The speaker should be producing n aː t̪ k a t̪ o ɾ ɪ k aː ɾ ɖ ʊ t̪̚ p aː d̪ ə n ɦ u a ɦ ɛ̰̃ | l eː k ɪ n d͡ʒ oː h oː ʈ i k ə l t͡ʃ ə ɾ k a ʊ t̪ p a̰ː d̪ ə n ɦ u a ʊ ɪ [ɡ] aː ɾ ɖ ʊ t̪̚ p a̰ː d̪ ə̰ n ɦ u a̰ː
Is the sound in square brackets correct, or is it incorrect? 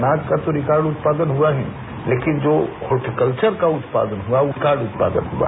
incorrect: k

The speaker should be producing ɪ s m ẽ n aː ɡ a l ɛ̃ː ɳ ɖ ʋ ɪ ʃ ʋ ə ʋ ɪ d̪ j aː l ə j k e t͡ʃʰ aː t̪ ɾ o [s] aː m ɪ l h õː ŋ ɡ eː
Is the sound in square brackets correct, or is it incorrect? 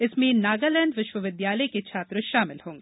incorrect: ʃ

